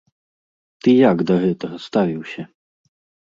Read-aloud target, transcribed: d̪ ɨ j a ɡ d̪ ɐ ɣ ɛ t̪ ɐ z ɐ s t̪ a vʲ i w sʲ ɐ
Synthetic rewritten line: t̪ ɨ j a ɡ d̪ ɐ ɣ ɛ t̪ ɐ ɣ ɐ s t̪ a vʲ i w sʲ ɐ